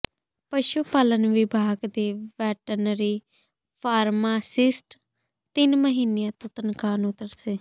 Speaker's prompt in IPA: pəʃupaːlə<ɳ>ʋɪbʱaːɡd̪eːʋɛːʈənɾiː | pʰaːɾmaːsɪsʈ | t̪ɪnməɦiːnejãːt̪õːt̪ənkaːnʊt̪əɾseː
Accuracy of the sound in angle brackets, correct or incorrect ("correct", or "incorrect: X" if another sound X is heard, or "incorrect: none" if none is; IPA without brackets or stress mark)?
incorrect: n